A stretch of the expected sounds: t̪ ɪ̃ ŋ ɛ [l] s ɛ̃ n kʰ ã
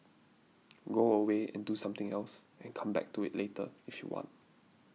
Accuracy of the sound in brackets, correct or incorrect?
correct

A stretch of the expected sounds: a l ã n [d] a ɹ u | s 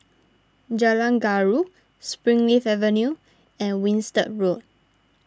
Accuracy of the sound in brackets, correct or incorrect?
incorrect: ɡ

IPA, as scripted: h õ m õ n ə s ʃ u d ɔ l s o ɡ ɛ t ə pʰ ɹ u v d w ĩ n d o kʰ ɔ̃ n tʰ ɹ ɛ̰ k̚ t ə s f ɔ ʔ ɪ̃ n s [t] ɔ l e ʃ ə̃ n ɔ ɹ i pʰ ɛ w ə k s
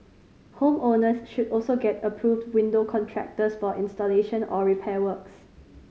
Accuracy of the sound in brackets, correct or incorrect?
correct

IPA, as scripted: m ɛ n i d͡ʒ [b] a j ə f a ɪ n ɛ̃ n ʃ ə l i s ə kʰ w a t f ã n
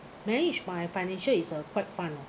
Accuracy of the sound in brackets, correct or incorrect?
correct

